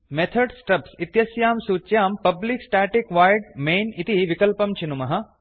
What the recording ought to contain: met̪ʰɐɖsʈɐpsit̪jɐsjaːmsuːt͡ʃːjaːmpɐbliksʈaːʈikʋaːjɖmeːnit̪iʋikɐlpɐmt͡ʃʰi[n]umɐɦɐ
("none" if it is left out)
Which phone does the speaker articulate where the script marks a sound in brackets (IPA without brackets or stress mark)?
n